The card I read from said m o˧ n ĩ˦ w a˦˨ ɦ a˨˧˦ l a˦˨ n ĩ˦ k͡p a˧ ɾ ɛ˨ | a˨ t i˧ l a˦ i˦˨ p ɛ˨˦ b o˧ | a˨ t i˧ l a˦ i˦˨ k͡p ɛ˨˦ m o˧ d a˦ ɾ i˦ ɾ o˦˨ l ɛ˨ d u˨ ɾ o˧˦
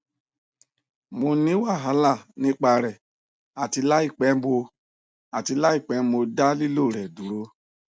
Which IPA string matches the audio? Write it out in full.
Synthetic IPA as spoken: m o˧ n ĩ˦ w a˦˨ ɦ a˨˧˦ l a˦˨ n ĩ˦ k͡p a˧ ɾ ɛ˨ | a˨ t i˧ l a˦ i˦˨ k͡p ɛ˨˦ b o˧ | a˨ t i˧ l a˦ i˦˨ k͡p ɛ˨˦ m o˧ d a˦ l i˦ l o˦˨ ɾ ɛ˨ d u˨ ɾ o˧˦